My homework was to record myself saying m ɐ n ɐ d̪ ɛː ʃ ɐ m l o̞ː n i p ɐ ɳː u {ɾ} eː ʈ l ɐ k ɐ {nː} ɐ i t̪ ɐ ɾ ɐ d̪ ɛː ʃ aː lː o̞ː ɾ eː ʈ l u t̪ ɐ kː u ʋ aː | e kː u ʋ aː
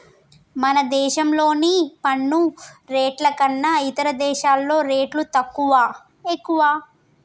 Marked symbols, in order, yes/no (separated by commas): yes, yes